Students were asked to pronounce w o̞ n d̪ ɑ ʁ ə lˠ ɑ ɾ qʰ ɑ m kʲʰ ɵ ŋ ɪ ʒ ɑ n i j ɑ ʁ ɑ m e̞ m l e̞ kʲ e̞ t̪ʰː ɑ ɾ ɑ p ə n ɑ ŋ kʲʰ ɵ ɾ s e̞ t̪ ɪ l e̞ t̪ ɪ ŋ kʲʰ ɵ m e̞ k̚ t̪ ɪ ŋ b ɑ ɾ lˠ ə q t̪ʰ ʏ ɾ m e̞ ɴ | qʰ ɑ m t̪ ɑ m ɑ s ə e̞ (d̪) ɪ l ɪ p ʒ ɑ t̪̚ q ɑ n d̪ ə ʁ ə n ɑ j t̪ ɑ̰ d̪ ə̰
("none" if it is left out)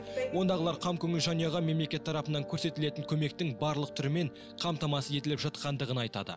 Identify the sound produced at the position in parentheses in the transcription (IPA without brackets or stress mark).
t̪